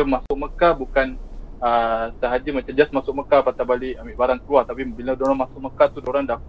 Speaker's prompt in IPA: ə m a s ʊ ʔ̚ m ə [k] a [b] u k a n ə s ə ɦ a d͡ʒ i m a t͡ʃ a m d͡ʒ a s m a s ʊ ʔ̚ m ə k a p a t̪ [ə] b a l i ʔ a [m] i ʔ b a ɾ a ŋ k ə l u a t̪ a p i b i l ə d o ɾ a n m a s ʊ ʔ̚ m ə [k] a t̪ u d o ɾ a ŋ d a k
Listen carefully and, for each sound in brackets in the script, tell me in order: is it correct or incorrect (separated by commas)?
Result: correct, correct, incorrect, correct, correct